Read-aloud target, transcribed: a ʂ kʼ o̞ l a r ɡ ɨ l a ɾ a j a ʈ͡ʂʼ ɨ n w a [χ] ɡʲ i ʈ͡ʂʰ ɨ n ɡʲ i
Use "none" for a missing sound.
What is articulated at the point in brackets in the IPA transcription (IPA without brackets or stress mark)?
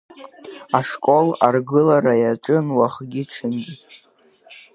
χ